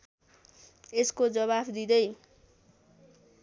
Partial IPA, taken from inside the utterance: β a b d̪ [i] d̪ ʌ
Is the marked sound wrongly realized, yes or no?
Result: no